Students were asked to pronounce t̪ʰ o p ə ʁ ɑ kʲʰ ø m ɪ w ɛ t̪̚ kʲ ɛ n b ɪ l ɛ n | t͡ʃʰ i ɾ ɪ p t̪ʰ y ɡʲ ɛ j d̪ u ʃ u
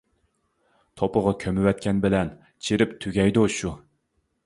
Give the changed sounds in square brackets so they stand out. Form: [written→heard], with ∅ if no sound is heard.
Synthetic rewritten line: t̪ʰ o p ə ʁ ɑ kʲʰ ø m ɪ w ɛ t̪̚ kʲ ɛ n b ɪ l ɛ n | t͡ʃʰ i ɾ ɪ p t̪ʰ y ɡʲ ɛ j d̪ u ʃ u